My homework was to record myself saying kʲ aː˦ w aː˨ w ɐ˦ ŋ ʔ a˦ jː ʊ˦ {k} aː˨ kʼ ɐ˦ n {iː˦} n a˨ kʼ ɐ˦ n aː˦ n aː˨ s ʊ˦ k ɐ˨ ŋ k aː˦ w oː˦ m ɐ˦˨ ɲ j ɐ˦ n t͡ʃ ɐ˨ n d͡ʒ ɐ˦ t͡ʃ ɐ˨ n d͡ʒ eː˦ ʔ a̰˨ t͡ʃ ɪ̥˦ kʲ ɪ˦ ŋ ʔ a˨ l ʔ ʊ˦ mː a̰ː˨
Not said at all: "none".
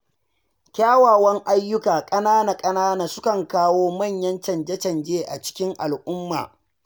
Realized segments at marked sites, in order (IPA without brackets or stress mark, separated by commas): k, aː˦